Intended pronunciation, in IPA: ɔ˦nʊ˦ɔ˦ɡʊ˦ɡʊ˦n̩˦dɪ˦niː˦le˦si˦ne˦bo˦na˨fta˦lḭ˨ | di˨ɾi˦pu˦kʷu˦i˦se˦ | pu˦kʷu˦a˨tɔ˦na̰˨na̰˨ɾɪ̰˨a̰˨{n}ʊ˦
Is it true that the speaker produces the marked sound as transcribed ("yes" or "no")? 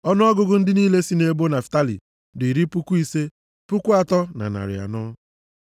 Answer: yes